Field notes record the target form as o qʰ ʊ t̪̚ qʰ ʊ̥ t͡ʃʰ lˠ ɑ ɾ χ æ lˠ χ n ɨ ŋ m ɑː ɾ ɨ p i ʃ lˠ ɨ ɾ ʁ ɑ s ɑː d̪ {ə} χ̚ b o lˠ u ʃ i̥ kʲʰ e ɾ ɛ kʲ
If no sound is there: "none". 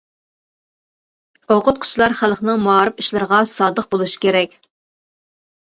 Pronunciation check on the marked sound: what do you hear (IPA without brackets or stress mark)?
ə